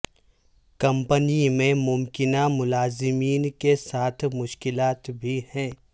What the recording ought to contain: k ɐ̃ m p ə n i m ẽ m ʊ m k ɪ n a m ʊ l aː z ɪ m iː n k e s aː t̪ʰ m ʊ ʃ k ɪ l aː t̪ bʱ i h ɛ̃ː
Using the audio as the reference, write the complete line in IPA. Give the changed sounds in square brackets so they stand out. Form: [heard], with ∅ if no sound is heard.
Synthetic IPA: k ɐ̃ m p ə n i m ẽ m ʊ m k ɪ n a m ʊ l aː z ɪ m iː n k e s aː t̪ʰ m ʊ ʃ k ɪ l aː t̪ bʱ i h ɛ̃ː